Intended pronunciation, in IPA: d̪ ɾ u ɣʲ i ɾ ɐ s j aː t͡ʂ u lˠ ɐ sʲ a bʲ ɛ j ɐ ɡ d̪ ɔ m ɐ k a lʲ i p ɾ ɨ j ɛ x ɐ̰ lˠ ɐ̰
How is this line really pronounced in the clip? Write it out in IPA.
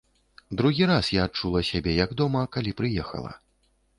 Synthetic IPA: d̪ ɾ u ɣʲ i ɾ a s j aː t͡ʂ u lˠ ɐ sʲ a bʲ ɛ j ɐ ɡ d̪ ɔ m ɐ k a lʲ i p ɾ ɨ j ɛ x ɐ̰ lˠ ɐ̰